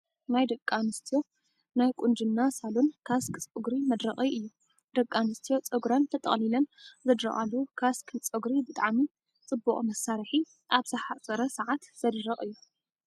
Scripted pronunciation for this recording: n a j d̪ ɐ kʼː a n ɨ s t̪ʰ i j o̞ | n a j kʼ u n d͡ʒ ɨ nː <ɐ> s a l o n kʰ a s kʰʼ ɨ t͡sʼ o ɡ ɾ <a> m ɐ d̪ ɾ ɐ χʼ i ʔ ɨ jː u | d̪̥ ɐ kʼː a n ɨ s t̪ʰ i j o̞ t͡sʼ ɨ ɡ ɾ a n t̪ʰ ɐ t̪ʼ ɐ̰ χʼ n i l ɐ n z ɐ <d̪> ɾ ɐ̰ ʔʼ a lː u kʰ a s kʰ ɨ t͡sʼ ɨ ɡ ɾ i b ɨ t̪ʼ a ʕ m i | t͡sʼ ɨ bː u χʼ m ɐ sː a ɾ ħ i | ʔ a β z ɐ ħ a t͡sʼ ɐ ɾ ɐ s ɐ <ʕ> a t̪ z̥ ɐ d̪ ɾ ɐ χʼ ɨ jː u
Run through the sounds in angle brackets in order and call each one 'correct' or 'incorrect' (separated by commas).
incorrect, incorrect, correct, correct